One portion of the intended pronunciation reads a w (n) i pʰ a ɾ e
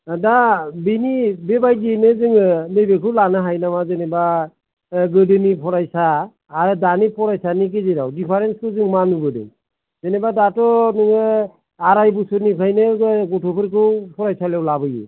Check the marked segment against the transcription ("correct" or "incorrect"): incorrect